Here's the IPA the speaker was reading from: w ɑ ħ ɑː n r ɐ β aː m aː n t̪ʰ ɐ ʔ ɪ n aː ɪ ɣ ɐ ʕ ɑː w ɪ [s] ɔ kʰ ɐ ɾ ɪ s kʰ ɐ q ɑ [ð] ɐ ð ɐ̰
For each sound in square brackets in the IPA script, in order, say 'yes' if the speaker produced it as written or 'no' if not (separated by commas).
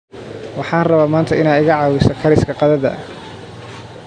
yes, yes